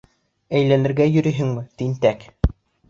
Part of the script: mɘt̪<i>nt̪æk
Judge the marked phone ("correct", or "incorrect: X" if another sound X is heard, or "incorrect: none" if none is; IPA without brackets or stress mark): correct